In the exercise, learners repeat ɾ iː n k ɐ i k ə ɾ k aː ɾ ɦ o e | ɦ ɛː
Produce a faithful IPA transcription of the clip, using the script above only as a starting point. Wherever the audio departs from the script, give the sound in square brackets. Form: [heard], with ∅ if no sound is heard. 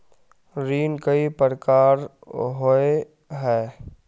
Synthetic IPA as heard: ɾ iː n k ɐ i [p] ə ɾ k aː ɾ ɦ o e | ɦ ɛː